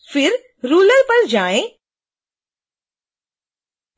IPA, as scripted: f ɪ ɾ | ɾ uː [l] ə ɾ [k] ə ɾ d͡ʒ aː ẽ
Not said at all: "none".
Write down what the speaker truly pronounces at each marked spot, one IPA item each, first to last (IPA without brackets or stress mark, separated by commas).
l, p